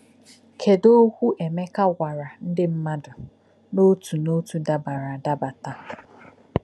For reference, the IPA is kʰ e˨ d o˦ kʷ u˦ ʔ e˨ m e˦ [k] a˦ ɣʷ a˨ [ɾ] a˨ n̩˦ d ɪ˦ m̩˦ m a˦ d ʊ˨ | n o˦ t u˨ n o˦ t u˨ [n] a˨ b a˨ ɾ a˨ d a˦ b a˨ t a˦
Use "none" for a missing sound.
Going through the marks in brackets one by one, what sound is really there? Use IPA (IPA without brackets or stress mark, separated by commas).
k, ɾ, d